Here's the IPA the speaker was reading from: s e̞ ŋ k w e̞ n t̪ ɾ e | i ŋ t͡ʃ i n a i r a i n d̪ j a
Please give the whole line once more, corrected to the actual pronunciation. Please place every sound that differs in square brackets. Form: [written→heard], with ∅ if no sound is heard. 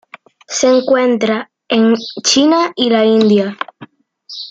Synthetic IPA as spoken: s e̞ ŋ k w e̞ n t̪ ɾ [e→a] | [i→e] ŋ t͡ʃ i n a i [r→l] a i n d̪ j a